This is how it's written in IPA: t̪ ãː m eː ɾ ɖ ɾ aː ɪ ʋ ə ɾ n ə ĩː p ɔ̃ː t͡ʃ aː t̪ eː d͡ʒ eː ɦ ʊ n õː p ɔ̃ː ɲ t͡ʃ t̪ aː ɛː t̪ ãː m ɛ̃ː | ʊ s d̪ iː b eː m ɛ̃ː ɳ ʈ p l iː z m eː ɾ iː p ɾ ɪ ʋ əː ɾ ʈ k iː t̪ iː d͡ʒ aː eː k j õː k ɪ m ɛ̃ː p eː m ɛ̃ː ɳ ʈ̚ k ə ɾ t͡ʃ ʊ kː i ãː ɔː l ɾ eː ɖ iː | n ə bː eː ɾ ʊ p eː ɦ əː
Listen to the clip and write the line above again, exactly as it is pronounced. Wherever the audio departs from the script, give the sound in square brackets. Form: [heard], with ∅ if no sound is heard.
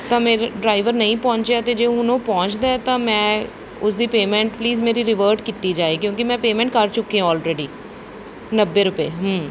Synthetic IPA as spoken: t̪ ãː m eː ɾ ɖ ɾ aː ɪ ʋ ə ɾ n ə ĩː p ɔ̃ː t͡ʃ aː t̪ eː d͡ʒ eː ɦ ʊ n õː p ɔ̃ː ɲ t͡ʃ [d̪] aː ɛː t̪ ãː m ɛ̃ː | ʊ s d̪ iː [p] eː m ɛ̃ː ɳ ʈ p l iː z m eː ɾ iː [∅] ɾ ɪ ʋ əː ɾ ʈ k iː t̪ iː d͡ʒ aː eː k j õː k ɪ m ɛ̃ː p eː m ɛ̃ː ɳ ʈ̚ k ə ɾ t͡ʃ ʊ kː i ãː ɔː l ɾ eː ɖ iː | n ə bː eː ɾ ʊ p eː ɦ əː